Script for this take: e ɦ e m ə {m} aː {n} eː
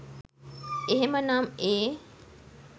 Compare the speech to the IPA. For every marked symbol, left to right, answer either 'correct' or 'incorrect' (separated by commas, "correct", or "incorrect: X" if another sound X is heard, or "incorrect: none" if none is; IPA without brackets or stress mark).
incorrect: n, incorrect: m